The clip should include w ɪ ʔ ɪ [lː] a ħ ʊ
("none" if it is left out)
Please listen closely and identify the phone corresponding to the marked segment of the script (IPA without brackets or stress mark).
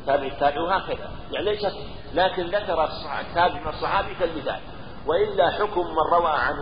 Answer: lː